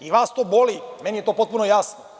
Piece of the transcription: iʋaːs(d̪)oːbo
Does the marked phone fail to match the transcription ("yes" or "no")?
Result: yes